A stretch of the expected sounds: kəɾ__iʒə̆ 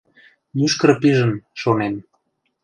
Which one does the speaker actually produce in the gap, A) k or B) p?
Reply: B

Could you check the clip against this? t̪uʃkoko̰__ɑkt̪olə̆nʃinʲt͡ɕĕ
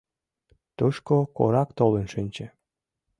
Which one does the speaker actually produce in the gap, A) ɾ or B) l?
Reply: A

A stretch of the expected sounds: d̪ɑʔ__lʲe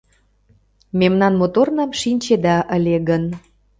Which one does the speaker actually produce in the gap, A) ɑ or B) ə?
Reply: B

